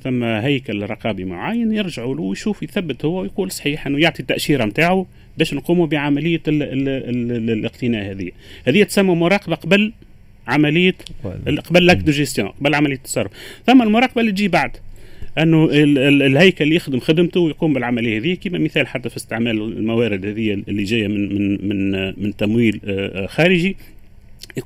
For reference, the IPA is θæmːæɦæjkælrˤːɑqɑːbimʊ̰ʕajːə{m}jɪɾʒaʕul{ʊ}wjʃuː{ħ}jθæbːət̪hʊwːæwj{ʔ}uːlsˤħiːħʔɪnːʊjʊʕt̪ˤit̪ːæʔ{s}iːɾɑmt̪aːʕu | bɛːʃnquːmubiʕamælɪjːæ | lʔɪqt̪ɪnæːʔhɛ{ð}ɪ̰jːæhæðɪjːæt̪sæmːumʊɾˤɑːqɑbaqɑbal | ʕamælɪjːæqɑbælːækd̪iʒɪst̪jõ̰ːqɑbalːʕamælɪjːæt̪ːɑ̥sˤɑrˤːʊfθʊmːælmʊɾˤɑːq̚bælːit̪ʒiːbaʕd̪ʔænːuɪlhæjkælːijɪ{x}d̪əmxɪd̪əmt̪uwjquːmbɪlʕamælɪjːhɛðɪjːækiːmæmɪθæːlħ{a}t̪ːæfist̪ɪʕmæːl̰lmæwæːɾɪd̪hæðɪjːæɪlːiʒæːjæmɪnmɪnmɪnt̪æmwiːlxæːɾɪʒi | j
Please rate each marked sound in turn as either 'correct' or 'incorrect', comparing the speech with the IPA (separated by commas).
incorrect, incorrect, incorrect, incorrect, incorrect, correct, correct, correct